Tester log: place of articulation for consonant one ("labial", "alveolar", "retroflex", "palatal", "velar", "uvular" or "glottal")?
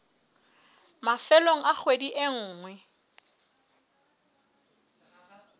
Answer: labial